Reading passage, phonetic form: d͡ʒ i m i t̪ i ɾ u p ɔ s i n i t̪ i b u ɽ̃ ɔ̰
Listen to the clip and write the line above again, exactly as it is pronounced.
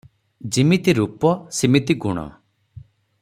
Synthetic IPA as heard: d͡ʒ i m i t̪ i ɾ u p ɔ s i m i t̪ i ɡ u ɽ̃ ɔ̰